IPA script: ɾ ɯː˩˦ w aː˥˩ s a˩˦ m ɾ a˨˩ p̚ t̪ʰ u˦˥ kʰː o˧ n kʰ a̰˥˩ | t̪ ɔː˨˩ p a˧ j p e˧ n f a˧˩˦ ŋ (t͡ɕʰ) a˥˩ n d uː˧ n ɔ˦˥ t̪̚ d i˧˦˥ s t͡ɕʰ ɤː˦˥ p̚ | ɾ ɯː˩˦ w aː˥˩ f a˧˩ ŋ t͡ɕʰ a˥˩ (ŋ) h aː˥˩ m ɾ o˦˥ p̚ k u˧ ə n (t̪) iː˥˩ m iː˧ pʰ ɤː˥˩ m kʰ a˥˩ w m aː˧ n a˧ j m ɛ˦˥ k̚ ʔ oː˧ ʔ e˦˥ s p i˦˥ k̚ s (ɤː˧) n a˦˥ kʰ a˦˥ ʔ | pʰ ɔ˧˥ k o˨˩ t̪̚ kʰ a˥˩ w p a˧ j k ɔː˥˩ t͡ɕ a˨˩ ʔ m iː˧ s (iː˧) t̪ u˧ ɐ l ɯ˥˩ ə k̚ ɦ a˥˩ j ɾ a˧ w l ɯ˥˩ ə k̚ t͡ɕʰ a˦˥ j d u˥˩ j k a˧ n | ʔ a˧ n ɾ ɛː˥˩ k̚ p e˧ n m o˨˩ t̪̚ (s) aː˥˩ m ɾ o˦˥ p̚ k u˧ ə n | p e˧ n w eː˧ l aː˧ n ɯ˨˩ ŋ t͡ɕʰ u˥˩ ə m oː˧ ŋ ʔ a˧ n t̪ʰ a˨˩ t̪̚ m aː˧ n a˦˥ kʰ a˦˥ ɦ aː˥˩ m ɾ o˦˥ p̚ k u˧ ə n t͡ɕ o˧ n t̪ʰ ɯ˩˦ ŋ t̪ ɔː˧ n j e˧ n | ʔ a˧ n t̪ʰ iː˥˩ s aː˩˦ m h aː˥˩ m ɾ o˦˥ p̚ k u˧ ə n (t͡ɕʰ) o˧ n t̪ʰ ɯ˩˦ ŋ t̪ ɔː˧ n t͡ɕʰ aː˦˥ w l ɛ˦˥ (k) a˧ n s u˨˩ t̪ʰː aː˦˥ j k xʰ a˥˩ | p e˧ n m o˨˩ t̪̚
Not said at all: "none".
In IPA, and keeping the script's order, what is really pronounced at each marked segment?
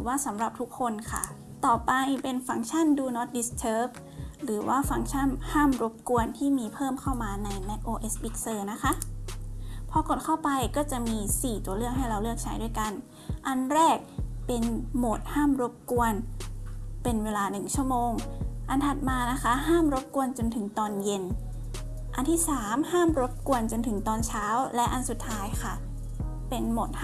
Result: t͡ɕʰ, n, t̪ʰ, ɤː˧, iː˨˩, h, t͡ɕ, ʔ

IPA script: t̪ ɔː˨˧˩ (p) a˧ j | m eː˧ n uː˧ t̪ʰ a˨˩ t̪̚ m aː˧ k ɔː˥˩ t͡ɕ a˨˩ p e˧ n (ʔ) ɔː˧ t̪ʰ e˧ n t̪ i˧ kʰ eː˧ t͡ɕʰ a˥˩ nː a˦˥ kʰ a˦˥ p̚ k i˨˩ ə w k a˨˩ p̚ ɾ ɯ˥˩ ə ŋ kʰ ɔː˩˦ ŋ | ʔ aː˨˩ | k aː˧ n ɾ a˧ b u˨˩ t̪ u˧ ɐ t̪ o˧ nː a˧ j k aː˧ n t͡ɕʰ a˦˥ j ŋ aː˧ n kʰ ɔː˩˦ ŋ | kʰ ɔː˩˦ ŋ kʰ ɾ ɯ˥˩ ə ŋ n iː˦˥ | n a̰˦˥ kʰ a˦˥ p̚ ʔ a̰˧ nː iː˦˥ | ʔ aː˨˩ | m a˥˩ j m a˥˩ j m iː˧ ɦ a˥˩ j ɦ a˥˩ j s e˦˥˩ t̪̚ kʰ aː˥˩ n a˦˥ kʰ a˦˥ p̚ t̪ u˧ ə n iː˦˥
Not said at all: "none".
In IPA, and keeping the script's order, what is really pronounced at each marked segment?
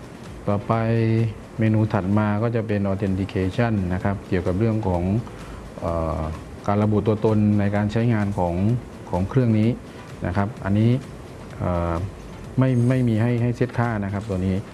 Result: p, ʔ

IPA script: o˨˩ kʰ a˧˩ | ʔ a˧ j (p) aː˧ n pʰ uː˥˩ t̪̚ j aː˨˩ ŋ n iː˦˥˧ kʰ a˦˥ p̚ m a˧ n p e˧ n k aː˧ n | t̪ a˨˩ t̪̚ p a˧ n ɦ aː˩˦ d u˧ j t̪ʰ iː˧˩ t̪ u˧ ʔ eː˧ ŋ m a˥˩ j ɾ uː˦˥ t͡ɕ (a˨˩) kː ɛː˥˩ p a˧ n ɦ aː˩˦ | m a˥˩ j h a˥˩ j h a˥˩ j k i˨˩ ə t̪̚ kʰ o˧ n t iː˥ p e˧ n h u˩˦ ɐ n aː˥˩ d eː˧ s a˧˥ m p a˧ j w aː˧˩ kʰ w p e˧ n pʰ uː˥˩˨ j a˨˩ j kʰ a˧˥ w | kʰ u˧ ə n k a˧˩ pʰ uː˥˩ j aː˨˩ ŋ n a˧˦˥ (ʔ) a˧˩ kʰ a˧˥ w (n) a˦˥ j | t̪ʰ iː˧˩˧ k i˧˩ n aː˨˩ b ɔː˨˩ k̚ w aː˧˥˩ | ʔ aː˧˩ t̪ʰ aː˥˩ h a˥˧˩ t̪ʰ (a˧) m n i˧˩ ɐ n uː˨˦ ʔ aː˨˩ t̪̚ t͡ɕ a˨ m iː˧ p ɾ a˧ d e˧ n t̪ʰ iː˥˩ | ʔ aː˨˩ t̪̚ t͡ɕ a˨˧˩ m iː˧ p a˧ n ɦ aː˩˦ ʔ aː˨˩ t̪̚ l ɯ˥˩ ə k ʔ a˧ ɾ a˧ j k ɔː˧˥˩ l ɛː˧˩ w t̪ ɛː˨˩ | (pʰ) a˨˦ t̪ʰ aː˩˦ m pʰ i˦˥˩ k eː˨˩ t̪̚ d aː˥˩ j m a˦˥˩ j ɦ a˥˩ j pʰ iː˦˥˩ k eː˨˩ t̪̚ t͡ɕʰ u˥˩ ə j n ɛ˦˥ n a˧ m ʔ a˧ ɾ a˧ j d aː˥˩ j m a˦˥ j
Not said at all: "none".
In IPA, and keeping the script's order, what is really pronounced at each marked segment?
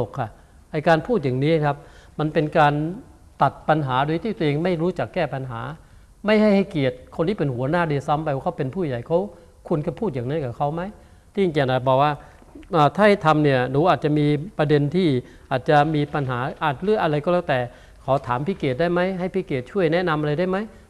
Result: k, a˨˩, k, m, a˧, kʰ

